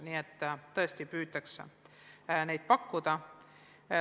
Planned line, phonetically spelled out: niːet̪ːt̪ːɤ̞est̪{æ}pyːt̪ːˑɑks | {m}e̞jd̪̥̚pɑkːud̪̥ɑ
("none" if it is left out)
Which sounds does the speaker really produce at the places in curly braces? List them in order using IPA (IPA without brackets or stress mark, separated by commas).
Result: i, n